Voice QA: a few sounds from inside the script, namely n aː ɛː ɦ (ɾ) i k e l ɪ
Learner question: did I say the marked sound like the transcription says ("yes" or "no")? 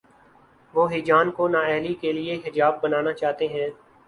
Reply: no